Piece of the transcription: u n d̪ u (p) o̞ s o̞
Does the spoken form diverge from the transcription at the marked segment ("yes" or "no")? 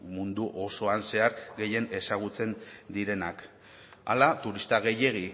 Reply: yes